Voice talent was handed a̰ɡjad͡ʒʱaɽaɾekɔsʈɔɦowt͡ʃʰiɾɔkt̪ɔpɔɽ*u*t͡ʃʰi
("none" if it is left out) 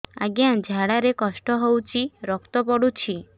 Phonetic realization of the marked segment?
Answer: u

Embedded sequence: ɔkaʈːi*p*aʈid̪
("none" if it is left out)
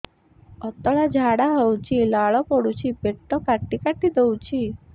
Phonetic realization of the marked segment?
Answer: k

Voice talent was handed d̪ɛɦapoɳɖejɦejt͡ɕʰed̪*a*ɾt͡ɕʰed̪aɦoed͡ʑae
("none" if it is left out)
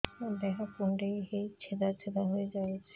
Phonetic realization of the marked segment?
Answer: a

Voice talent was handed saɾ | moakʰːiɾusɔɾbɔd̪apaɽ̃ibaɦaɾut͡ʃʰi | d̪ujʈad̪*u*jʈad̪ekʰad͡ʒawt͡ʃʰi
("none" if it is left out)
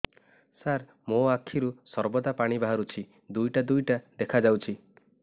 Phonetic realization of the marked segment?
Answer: u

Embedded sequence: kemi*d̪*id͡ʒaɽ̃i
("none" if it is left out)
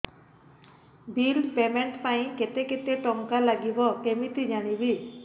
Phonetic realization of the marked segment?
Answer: t̪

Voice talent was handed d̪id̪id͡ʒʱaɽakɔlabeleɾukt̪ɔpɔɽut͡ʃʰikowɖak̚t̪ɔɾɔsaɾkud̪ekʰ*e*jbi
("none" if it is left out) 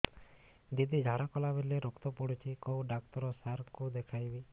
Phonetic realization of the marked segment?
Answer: a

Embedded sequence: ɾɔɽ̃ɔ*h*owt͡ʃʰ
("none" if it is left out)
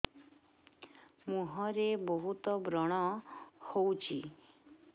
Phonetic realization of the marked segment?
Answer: h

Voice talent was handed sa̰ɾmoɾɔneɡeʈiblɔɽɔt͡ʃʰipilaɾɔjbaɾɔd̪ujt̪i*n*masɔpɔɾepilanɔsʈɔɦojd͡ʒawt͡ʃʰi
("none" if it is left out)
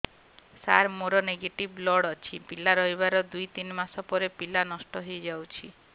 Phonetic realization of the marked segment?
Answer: n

